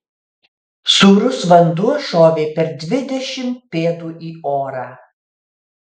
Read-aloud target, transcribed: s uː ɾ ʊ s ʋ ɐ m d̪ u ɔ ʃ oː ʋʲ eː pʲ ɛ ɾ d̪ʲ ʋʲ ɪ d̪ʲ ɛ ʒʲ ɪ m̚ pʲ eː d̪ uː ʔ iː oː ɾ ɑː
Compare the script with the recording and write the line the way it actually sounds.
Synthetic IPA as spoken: s uː ɾ ʊ s ʋ ɐ n d̪ u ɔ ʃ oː ʋʲ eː pʲ ɛ ɾ d̪ʲ ʋʲ ɪ d̪ʲ ɛ ʃʲ ɪ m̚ pʲ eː d̪ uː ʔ iː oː ɾ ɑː